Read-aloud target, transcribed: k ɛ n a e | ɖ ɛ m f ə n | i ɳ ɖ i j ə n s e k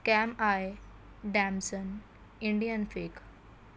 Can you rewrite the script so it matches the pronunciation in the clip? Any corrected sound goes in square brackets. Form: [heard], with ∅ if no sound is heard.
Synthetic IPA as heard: k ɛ [m] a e | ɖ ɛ m [s] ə n | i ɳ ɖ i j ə n [f] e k

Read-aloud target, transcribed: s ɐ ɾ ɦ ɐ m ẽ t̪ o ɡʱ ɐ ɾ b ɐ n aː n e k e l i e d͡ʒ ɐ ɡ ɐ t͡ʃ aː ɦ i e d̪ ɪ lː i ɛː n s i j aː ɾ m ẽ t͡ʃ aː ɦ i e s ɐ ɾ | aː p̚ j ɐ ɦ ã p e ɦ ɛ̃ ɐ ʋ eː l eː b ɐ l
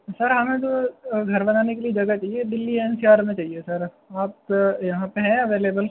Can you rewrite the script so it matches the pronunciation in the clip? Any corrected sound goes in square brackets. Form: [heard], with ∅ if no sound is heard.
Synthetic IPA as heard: s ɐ ɾ ɦ ɐ m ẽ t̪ o ɡʱ ɐ ɾ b ɐ n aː n e k e l i e d͡ʒ ɐ ɡ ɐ t͡ʃ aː ɦ i e d̪ ɪ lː i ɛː n s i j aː ɾ m ẽ t͡ʃ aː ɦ i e s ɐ ɾ | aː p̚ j ɐ ɦ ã p e ɦ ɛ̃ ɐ ʋ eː l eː b [ə] l

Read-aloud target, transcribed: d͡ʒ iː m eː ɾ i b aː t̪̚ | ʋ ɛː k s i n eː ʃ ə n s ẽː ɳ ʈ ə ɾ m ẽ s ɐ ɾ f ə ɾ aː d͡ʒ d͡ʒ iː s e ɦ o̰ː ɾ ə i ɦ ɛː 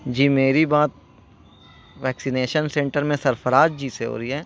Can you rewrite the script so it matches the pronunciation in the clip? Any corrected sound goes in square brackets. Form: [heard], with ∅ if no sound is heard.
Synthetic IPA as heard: d͡ʒ iː m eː ɾ i b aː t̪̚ | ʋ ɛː k s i n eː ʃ ə n s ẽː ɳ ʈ ə ɾ m ẽ s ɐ ɾ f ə ɾ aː d͡ʒ d͡ʒ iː s e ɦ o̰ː ɾ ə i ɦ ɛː

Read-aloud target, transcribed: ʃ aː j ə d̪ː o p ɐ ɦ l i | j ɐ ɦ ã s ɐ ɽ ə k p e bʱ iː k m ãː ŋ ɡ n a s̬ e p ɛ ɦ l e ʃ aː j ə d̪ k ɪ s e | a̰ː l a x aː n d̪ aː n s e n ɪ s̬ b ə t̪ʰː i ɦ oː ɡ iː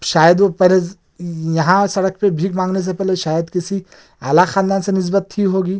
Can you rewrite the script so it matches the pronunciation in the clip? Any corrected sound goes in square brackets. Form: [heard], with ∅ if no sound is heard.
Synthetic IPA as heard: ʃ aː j ə [d̪] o p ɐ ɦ l [e] | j ɐ ɦ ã s ɐ ɽ ə k p e bʱ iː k m ãː ŋ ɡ n [e] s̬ e p ɛ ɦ l e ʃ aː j ə d̪ k ɪ s [i] | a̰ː l a x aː n d̪ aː n s e n ɪ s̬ b ə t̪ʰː i ɦ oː ɡ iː

